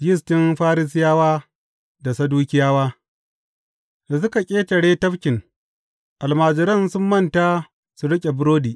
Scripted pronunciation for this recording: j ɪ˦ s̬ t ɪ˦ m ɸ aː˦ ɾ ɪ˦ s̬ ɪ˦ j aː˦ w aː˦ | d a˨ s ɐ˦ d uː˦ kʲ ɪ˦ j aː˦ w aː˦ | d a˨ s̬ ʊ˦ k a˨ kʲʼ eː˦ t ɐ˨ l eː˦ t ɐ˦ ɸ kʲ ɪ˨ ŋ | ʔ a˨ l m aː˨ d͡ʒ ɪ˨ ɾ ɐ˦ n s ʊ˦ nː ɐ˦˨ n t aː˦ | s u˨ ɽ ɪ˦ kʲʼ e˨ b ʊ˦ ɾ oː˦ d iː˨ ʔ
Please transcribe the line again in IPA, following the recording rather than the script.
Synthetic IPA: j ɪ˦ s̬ t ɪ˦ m ɸ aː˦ ɾ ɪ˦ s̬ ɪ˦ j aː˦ w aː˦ | d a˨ s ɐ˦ d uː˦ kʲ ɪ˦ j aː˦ w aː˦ | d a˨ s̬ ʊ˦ k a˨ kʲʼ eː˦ t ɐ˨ ɽ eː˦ t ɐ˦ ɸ kʲ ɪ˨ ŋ | ʔ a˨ l m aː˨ d͡ʒ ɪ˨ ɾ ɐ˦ n s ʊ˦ mː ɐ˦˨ n t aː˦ | s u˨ ɽ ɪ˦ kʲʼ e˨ b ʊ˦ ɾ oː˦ d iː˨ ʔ